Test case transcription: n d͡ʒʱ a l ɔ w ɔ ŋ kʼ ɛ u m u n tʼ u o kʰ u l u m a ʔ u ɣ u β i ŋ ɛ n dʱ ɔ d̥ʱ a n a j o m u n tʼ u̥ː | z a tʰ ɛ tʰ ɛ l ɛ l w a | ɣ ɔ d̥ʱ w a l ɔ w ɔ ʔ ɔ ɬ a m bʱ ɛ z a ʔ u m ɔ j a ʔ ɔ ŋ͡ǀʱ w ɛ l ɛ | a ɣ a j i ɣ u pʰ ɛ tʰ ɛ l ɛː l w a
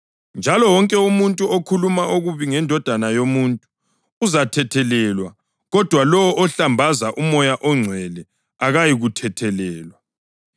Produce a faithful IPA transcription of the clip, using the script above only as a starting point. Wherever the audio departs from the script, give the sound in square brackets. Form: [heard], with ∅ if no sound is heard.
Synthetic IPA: n d͡ʒʱ a l ɔ w ɔ ŋ kʼ ɛ u m u n tʼ u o kʰ u l u m a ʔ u ɣ u β i ŋ ɛ n dʱ ɔ d̥ʱ a n a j o m u n tʼ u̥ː | z a tʰ ɛ tʰ ɛ l ɛ l w a | ɣ ɔ d̥ʱ w a l ɔ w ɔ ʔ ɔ ɬ a m bʱ [a] z a ʔ u m ɔ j a ʔ ɔ ŋ͡ǀʱ w ɛ l ɛ | a ɣ a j i ɣ u [tʰ] ɛ tʰ ɛ l ɛː l w a